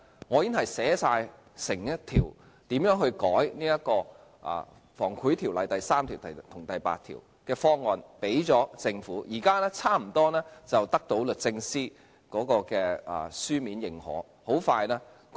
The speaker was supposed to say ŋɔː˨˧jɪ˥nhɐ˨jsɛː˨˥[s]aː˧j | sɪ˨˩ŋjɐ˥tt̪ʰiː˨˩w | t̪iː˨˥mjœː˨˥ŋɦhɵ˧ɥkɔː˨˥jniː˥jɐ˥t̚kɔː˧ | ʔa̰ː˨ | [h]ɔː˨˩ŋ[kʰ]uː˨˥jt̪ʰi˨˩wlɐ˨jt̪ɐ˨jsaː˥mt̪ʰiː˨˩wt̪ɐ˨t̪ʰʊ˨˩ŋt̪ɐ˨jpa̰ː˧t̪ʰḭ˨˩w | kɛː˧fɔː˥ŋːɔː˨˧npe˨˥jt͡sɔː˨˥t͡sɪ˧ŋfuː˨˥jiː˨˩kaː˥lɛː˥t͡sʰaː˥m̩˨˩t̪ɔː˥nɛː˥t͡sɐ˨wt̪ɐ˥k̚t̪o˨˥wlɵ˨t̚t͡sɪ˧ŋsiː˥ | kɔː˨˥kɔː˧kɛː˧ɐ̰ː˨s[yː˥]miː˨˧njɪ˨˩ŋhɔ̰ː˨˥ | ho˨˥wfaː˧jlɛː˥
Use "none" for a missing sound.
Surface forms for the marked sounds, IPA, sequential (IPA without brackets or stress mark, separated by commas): s, f, kʰ, yː˥